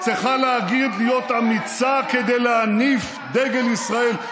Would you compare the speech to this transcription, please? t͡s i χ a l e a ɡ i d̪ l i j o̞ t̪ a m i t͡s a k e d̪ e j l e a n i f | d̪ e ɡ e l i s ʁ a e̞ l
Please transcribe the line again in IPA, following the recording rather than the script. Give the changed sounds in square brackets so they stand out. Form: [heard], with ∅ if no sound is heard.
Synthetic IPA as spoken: t͡s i χ a l e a ɡ i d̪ l i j o̞ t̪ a m i t͡s a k e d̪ e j l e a n i f | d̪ e ɡ e l i s ʁ a e̞ l